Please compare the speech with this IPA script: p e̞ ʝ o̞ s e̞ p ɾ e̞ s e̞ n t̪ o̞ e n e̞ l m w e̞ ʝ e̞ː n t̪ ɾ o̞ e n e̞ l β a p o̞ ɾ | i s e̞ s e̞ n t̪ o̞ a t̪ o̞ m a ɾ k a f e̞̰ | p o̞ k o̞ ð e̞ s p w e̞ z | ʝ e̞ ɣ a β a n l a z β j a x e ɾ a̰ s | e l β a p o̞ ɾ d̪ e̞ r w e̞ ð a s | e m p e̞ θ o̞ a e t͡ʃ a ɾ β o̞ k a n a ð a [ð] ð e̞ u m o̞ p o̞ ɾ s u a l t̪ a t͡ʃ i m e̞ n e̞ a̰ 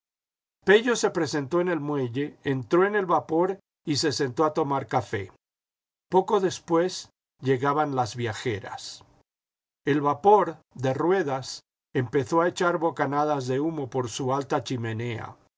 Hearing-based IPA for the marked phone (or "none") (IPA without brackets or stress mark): z